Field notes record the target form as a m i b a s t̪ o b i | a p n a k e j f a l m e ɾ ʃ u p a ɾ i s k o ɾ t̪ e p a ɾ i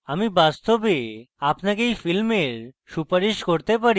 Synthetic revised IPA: a m i b a s t̪ o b e | a p n a k e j f i l m e ɾ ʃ u p a ɾ i ʃ k o ɾ t̪ e p a ɾ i